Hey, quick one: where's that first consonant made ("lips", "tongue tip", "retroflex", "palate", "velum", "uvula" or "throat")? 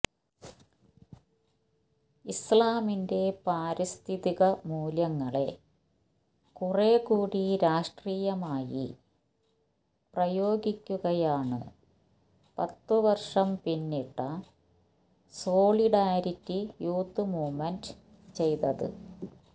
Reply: tongue tip